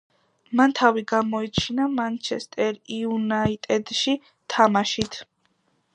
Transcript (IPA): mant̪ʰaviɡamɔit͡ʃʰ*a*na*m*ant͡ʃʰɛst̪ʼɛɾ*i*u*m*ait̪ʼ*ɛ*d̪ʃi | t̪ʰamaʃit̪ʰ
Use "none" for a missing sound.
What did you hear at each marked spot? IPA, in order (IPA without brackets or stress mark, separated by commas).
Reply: i, m, i, n, ɛ